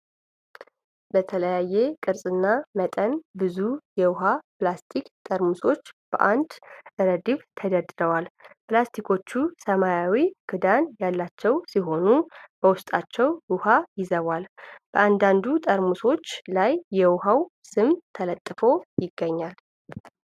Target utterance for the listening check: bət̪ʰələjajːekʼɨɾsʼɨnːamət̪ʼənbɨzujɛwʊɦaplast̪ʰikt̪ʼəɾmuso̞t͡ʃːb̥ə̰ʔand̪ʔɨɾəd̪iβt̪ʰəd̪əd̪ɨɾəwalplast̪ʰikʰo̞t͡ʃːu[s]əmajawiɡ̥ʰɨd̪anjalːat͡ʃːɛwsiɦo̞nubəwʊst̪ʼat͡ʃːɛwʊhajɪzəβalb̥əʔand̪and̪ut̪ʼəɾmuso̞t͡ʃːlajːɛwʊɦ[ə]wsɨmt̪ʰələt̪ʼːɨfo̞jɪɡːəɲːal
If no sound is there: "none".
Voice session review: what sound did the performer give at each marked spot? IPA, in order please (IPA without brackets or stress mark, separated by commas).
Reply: s, a